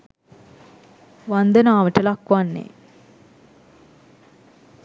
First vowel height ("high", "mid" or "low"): low